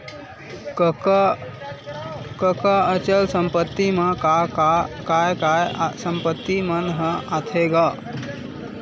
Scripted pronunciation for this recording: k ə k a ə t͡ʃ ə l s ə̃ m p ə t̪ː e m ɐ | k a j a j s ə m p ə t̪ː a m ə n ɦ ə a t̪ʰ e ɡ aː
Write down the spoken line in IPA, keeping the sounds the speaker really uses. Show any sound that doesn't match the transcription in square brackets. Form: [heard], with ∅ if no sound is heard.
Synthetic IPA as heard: k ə k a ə t͡ʃ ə l s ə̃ m p ə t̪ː [i] m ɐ | k a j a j s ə m p ə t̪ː [i] m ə n ɦ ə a t̪ʰ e ɡ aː